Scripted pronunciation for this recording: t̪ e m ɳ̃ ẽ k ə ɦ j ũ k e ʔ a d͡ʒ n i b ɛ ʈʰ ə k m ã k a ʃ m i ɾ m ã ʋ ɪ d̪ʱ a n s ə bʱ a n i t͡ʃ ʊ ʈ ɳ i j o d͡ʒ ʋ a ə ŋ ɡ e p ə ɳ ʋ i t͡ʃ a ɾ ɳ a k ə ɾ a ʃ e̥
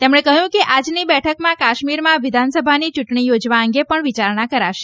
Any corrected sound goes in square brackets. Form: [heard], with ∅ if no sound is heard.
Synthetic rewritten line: t̪ e m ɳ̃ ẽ k ə ɦ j ũ k e ʔ a d͡ʒ n i b ɛ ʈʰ ə k m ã k a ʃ m i ɾ m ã ʋ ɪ d̪ʱ a n s ə bʱ a n i t͡ʃ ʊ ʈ ɳ i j o d͡ʒ ʋ a ə ŋ ɡ e p ə ɳ ʋ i t͡ʃ a ɾ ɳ a k ə ɾ a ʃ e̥